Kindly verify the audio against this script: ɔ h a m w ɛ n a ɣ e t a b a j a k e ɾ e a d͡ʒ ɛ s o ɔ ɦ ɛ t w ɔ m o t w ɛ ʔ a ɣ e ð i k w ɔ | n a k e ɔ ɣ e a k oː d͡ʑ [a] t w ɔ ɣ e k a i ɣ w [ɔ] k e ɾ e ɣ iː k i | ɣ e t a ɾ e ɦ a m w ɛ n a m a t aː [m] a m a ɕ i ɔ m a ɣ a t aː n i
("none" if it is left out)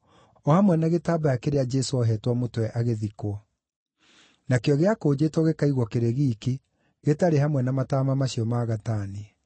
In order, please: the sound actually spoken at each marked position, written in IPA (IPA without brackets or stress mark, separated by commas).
e, ɔ, m